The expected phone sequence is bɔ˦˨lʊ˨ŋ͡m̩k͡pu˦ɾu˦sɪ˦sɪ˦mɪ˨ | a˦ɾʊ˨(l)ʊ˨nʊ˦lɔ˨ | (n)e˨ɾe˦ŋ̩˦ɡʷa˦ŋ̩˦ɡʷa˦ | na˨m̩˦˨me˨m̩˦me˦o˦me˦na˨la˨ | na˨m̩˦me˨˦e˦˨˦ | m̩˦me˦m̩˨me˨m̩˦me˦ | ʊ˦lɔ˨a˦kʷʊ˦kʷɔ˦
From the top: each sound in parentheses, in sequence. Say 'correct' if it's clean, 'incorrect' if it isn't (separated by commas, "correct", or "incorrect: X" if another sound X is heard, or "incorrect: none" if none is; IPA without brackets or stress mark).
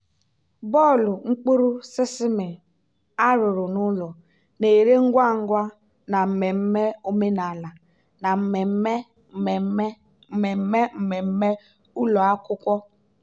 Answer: incorrect: ɾ, correct